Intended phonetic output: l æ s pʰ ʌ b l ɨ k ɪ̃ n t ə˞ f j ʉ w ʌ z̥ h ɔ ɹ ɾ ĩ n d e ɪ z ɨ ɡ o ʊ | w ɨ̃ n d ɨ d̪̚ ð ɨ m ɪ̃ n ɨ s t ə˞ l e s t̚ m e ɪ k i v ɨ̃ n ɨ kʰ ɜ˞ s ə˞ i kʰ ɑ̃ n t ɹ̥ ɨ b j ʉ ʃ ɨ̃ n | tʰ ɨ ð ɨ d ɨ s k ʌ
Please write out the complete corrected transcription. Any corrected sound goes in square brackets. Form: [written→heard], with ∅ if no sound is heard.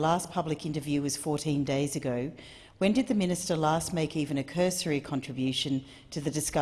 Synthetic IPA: l æ s pʰ ʌ b l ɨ k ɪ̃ n t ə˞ [f→v] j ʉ w ʌ z̥ [h→f] ɔ ɹ ɾ ĩ n d e ɪ z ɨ ɡ o ʊ | w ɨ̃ n d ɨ d̪̚ ð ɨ m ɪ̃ n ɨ s t ə˞ l [e→æ] s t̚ m e ɪ k i v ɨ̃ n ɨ kʰ ɜ˞ s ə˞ i kʰ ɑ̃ n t ɹ̥ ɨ b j ʉ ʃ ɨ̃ n | tʰ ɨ ð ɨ d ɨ s k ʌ